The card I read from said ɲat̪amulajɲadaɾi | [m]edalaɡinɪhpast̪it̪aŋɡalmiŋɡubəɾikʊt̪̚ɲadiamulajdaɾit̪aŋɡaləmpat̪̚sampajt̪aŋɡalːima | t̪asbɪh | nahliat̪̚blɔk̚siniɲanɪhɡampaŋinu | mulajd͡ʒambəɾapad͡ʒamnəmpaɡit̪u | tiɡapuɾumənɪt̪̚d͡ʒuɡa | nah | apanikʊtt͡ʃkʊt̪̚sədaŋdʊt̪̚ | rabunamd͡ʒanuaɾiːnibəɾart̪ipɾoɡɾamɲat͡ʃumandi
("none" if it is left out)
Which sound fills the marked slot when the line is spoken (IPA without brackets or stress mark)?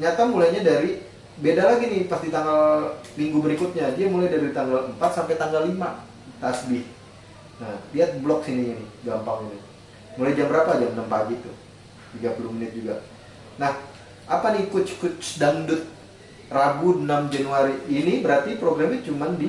b